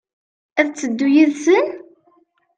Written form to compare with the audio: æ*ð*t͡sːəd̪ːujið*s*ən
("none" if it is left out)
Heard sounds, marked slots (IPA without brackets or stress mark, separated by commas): ð, s